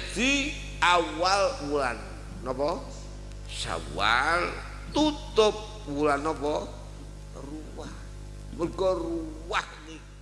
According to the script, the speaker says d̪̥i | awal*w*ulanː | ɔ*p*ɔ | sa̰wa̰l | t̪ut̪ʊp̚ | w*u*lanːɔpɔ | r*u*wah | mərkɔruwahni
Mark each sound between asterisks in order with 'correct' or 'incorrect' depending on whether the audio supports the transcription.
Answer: correct, correct, correct, correct

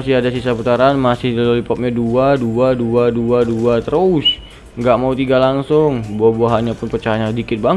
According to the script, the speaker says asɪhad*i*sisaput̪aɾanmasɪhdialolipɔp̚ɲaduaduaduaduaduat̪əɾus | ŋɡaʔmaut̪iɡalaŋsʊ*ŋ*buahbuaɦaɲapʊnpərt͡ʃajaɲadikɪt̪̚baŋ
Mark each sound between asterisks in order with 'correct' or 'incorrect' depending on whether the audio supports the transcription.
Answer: incorrect: a, correct

